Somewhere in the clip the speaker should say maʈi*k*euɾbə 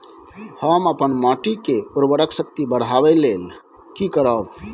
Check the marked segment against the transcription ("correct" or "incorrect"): correct